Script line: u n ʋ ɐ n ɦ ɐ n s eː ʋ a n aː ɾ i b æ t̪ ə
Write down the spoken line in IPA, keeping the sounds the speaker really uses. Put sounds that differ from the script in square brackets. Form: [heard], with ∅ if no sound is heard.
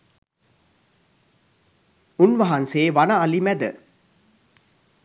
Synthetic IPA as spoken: u n ʋ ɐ [∅] ɦ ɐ n s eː ʋ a n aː [l] i [m] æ [d̪] ə